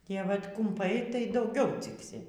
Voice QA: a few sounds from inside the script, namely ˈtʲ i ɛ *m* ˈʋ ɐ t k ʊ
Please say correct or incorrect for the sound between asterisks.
incorrect